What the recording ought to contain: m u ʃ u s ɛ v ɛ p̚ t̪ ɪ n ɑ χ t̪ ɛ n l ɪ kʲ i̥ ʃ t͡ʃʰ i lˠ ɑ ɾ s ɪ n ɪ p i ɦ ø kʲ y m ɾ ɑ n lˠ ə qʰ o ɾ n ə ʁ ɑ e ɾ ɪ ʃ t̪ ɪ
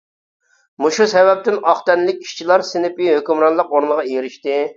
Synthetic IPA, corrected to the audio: m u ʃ u s ɛ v ɛ p̚ t̪ ɪ n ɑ χ t̪ ɛ n l ɪ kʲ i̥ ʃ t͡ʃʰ i lˠ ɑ ɾ s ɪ n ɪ p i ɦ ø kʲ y m ɾ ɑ n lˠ ə q o ɾ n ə ʁ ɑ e ɾ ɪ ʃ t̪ ɪ